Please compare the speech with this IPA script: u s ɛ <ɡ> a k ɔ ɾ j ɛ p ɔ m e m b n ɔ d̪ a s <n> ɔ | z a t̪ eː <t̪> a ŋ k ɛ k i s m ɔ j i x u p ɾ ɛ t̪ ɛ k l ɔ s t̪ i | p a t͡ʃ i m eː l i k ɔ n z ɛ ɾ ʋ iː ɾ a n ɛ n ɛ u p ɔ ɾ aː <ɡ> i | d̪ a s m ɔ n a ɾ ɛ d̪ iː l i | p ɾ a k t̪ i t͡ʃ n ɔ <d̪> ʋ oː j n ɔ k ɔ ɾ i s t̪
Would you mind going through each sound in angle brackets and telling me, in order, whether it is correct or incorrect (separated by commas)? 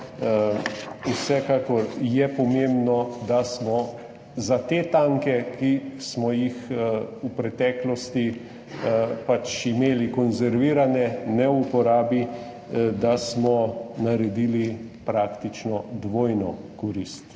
incorrect, incorrect, correct, incorrect, correct